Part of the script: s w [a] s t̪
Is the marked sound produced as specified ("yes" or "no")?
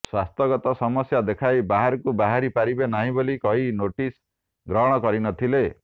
yes